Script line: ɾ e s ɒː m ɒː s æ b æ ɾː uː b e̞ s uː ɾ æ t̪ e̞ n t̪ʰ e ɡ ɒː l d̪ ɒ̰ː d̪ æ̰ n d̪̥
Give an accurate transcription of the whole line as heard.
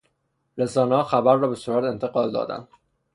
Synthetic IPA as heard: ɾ e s ɒː n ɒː x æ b æ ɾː ɒː b e̞ s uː ɾ æ t̪ e̞ n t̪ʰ e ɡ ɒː l d̪ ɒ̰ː d̪ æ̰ n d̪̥